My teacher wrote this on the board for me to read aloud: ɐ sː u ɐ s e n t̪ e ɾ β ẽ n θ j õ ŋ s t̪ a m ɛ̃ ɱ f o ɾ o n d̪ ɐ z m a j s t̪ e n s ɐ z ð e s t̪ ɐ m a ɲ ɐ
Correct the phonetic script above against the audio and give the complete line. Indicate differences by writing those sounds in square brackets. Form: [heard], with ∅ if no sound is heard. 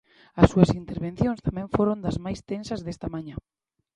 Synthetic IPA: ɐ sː u ɐ s [i] n t̪ e ɾ β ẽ n θ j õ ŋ s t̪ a m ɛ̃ ɱ f o ɾ o n d̪ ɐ z m a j s t̪ e n s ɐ z ð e s t̪ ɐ m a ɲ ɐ

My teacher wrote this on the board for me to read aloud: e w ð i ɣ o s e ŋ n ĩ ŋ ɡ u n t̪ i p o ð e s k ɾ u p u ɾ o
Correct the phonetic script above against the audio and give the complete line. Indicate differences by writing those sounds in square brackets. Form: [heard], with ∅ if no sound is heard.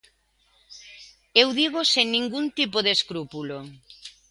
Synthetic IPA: e w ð i ɣ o s e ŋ n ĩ ŋ ɡ u n t̪ i p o ð e s k ɾ u p u [l] o

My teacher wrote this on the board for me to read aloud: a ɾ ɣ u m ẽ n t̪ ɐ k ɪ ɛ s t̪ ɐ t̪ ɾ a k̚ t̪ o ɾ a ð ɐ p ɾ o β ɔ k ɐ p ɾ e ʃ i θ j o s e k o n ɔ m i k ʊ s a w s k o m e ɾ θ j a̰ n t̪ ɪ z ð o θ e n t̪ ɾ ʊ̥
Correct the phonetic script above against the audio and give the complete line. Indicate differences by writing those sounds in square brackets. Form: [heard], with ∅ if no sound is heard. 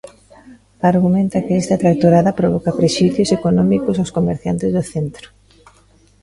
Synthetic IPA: a ɾ ɣ u m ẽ n t̪ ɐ k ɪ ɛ s t̪ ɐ t̪ ɾ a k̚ t̪ o ɾ a ð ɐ p ɾ o β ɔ k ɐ p ɾ e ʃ i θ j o s e k o n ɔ m i k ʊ s a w s k o m e ɾ θ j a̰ n t̪ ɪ z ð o θ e n t̪ ɾ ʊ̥

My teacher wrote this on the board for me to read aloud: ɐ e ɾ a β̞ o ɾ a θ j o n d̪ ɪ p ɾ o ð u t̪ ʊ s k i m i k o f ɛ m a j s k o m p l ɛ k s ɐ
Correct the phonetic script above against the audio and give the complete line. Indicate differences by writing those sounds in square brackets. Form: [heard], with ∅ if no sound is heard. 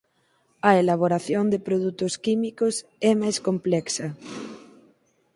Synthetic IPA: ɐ e [l] a β̞ o ɾ a θ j o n d̪ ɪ p ɾ o ð u t̪ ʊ s k i m i k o [s] ɛ m a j s k o m p l ɛ k s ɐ

